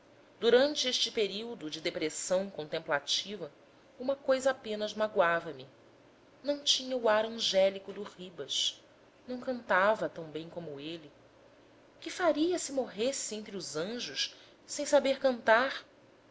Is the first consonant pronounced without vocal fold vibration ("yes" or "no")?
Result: no